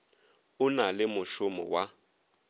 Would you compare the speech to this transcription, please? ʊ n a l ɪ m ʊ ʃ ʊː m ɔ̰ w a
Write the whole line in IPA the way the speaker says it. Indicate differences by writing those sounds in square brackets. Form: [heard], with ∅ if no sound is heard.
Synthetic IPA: ʊ n a l ɪ m ʊ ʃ [ʊ] m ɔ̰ w a